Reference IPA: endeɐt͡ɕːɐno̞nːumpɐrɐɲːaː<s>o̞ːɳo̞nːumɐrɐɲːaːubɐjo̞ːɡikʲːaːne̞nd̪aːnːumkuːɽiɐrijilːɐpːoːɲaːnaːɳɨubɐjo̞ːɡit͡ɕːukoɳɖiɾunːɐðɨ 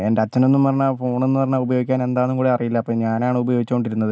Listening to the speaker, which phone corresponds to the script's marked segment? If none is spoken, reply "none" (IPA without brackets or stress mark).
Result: f